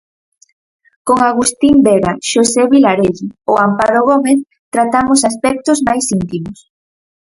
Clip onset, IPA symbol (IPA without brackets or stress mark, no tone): k